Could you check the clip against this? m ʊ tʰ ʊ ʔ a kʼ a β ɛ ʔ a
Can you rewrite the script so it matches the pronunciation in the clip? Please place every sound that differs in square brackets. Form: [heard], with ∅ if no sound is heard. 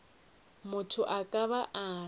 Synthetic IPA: m ʊ tʰ ʊ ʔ a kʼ a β [a] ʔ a